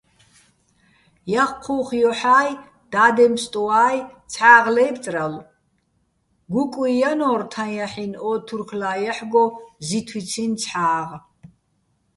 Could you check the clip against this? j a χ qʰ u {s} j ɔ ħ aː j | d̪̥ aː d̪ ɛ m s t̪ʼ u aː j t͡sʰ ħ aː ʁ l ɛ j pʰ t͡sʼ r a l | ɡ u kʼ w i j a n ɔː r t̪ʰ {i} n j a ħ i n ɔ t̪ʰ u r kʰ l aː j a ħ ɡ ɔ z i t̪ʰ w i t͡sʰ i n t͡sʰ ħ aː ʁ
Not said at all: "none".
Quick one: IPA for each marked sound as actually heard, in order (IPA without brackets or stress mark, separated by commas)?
χ, a